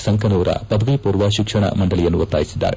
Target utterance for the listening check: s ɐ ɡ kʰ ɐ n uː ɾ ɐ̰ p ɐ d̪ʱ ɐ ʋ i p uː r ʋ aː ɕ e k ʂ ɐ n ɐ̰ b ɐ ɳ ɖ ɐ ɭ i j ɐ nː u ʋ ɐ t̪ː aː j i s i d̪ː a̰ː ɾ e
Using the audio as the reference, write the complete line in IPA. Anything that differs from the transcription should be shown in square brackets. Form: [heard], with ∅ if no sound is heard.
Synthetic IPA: s ɐ [ŋ] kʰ ɐ n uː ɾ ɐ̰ p ɐ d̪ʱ ɐ ʋ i p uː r ʋ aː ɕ [i] k ʂ ɐ [ɳ] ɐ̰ [m] ɐ ɳ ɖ ɐ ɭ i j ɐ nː u ʋ ɐ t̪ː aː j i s i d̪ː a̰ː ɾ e